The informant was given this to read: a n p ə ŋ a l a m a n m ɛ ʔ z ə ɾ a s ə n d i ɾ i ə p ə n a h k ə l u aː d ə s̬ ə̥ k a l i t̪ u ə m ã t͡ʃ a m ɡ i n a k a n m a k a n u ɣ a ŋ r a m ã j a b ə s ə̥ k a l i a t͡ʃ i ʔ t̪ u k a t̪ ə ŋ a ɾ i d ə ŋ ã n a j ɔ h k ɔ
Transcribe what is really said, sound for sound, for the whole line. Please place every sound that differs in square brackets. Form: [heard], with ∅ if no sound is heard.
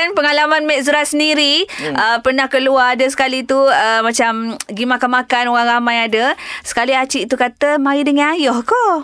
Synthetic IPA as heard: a n p ə ŋ a l a m a n m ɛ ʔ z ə ɾ a s ə n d i ɾ i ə p ə n a h k ə l u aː d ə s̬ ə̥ k a l i t̪ u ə m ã t͡ʃ a m ɡ i [m] a k a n m a k a n [o] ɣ a ŋ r a m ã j a [d] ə s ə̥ k a l i a t͡ʃ i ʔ t̪ u k a t̪ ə [m] a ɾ i d ə ŋ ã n a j ɔ h k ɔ